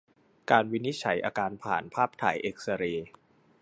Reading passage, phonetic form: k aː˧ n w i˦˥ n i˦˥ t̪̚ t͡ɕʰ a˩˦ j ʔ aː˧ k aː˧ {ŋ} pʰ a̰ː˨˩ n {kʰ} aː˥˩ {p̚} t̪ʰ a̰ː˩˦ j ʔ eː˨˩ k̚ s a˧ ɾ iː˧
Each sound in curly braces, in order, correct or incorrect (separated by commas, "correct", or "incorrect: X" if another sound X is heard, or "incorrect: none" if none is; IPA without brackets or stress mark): incorrect: n, incorrect: pʰ, correct